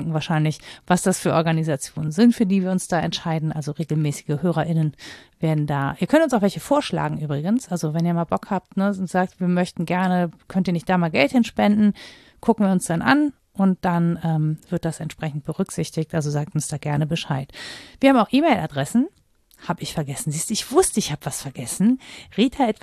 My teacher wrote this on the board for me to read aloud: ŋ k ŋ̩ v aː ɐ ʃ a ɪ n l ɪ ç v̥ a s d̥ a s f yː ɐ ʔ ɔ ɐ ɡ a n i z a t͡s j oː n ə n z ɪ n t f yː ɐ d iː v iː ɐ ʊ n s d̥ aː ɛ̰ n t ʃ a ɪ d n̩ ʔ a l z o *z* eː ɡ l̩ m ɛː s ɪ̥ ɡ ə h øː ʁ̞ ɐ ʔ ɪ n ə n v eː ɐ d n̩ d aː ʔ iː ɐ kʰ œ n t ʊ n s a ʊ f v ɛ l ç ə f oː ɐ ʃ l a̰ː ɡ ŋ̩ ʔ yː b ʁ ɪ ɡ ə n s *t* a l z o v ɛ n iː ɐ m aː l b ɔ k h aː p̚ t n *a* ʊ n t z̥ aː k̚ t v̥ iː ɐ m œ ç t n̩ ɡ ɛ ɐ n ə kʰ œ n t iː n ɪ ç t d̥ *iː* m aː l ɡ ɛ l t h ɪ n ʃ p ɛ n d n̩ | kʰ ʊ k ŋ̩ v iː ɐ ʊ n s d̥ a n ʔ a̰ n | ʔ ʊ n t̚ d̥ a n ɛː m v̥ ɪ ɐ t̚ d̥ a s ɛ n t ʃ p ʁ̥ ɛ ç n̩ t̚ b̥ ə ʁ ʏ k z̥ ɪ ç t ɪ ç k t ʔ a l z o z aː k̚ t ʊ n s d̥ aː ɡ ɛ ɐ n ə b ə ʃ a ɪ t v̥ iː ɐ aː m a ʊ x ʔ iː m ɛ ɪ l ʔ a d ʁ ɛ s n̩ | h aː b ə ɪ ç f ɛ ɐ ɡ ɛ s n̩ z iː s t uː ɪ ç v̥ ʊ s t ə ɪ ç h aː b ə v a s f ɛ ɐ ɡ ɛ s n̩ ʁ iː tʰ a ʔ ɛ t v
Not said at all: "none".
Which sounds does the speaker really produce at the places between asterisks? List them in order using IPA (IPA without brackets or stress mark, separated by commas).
ʁ, ʔ, ə, aː